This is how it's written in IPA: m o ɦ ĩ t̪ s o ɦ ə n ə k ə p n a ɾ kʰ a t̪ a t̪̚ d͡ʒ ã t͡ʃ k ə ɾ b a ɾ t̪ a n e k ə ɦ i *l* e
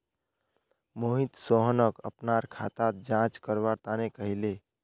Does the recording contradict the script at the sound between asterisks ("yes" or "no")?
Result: no